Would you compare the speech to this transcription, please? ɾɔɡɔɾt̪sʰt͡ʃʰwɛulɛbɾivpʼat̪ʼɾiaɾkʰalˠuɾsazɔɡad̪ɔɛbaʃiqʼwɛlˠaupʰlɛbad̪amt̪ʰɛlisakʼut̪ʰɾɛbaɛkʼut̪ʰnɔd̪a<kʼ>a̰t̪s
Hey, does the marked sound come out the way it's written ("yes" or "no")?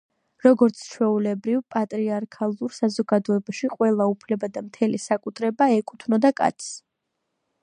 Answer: yes